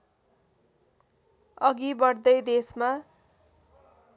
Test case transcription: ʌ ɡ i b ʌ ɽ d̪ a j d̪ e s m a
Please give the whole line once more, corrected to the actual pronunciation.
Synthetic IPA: ʌ ɡ i b ʌ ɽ d̪ ʌ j d̪ e s m a